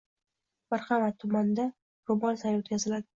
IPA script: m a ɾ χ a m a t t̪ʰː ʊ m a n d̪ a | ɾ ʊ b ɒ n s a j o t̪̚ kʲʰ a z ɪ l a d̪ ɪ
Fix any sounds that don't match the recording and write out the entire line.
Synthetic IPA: m a ɾ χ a m a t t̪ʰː ʊ m a n d̪ a | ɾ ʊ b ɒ n s a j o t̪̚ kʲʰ a z ɪ l a d̪ ɪ